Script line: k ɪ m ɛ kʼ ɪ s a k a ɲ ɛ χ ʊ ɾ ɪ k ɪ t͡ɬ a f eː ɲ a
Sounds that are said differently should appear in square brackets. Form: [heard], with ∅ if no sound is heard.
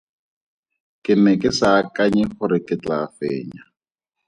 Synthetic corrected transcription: k ɪ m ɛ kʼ ɪ s a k a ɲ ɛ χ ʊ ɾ ɪ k ɪ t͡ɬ a f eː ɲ a